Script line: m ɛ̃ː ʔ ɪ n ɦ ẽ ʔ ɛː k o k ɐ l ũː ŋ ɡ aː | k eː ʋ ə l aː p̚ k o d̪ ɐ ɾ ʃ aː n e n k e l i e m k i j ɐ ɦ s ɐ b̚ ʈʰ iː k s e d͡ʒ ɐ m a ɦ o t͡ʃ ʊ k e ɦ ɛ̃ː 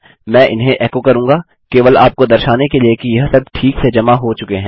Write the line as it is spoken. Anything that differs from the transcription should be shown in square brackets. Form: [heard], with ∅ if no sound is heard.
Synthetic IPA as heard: m ɛ̃ː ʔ ɪ n ɦ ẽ ʔ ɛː k o k ɐ [ɾ] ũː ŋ ɡ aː | k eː ʋ ə l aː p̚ k o d̪ ɐ ɾ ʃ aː n e [∅] k e l i e [∅] k i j ɐ ɦ s ɐ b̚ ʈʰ iː k s e d͡ʒ ɐ m a ɦ o t͡ʃ ʊ k e ɦ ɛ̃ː